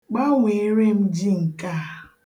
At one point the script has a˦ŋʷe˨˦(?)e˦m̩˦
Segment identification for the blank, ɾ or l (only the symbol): ɾ